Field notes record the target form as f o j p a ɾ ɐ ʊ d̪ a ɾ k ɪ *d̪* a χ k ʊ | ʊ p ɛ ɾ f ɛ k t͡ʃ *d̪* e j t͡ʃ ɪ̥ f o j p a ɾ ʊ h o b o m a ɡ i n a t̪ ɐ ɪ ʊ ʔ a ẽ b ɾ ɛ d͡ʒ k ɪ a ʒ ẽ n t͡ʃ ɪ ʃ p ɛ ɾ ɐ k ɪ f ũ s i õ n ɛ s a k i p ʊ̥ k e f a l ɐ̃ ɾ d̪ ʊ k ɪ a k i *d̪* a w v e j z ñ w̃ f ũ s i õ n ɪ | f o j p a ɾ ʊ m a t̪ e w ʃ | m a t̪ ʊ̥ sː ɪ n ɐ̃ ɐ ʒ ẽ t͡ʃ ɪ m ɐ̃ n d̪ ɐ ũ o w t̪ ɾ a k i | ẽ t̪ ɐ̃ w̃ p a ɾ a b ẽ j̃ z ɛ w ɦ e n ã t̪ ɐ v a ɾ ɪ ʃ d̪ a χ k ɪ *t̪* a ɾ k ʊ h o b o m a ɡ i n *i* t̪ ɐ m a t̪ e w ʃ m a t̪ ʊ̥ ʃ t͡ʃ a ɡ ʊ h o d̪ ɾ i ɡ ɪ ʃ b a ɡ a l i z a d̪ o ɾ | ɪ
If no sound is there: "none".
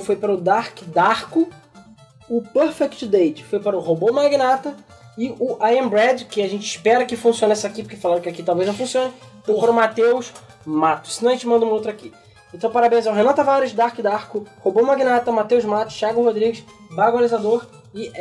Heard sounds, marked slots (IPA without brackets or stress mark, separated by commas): d̪, d̪, t̪, d̪, a